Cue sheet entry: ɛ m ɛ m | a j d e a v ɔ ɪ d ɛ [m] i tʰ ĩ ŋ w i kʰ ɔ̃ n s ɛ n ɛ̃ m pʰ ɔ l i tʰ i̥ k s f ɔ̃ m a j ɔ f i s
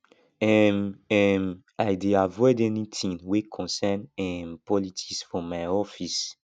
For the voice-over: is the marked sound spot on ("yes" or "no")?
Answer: no